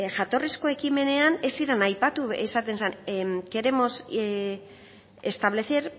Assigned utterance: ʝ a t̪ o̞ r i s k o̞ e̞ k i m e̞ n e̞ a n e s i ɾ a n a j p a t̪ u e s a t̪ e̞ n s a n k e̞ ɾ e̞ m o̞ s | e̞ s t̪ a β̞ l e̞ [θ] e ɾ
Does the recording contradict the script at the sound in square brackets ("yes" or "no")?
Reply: no